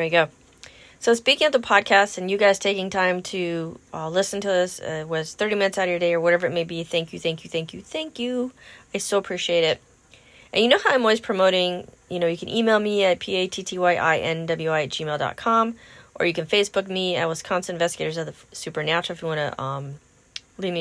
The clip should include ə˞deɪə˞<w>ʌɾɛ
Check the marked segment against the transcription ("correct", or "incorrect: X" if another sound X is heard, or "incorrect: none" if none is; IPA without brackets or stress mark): correct